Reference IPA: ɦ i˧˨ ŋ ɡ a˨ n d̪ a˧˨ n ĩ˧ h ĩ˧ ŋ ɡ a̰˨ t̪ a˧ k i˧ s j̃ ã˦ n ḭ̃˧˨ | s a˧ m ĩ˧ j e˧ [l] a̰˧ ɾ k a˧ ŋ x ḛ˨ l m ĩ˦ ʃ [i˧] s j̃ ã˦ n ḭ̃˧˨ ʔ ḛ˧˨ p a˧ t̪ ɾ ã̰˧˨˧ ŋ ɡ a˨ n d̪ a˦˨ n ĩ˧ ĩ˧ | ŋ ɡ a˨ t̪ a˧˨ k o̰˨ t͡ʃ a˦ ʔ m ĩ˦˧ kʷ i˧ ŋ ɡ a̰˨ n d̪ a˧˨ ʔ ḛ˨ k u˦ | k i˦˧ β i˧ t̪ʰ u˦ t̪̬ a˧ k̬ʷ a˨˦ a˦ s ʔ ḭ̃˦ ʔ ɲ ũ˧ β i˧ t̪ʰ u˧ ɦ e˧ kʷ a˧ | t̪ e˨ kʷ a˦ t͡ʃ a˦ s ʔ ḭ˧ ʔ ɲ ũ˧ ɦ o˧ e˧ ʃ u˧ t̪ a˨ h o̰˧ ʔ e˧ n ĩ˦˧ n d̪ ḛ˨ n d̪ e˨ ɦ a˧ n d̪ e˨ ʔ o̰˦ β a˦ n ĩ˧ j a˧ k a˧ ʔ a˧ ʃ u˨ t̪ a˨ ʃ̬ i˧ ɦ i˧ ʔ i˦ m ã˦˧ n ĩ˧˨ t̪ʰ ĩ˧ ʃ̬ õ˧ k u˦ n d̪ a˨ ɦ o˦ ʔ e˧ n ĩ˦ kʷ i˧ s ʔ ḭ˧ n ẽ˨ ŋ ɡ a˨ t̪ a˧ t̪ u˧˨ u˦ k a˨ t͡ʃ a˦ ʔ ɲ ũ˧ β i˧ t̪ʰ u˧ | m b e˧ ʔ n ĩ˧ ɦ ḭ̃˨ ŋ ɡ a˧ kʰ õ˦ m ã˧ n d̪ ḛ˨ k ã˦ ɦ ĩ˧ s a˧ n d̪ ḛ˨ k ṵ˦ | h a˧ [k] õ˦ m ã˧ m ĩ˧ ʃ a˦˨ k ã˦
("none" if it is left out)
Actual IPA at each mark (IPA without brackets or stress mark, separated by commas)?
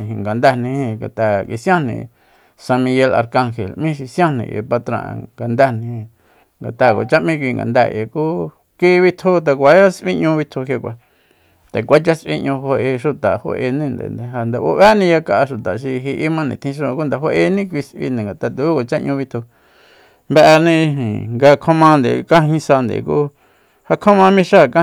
l, i˧, kʰ